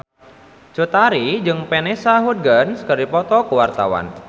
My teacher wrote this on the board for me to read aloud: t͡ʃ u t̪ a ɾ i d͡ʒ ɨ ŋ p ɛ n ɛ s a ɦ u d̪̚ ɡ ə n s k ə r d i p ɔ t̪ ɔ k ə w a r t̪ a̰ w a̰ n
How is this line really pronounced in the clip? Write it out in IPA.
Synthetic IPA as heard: t͡ʃ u t̪ a ɾ i d͡ʒ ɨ ŋ p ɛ n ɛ s a ɦ u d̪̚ ɡ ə n s k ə r d i p ɔ t̪ ɔ k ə w a r t̪ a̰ w a̰ n